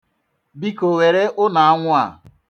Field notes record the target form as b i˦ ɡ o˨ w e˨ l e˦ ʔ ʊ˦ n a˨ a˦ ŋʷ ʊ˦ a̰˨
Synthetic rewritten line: b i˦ k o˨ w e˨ ɾ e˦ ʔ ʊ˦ n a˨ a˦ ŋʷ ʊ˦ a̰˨